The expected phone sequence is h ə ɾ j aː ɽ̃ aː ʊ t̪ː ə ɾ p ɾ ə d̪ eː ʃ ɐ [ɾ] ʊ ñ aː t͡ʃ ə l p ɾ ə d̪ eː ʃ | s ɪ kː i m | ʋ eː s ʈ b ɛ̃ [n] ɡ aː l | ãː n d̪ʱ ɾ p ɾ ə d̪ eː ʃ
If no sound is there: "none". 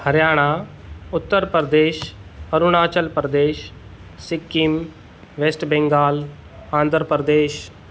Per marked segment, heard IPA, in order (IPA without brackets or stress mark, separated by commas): ɾ, ŋ